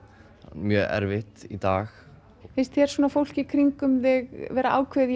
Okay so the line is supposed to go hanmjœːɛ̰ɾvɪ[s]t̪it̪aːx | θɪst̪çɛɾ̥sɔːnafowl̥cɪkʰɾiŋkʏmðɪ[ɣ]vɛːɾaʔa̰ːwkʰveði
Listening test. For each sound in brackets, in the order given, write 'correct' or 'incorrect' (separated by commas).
incorrect, correct